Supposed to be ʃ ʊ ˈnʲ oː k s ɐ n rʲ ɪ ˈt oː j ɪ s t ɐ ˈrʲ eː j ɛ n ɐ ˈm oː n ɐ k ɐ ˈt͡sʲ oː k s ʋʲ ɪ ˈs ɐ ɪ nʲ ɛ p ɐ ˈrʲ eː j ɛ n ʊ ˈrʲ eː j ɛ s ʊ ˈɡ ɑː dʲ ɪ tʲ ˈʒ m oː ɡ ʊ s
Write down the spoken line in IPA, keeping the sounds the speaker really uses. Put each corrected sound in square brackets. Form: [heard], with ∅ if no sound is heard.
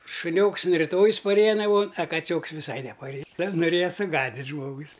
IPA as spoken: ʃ ʊ ˈnʲ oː k s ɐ n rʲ ɪ ˈt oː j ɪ s [p] ɐ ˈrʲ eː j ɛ n ɐ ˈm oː n ɐ k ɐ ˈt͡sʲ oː k s ʋʲ ɪ ˈs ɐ ɪ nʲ ɛ p ɐ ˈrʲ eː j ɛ n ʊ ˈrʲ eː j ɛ s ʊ ˈɡ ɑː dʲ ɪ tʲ ˈʒ m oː ɡ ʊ s